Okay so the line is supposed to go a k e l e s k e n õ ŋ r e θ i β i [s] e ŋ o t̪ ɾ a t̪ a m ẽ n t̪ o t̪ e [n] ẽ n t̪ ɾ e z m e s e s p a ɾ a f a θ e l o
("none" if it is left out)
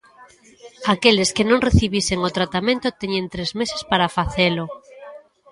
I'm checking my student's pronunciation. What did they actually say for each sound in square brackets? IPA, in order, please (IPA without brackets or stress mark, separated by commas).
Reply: s, ɲ